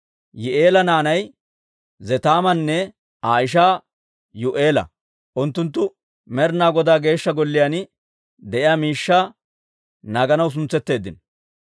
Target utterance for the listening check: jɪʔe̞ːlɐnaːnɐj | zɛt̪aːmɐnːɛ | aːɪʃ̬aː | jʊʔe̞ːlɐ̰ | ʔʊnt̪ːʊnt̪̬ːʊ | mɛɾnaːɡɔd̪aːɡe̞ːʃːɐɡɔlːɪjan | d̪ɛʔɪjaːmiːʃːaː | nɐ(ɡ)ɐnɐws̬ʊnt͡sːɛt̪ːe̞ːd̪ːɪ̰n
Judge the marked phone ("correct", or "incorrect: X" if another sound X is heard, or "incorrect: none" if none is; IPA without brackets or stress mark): correct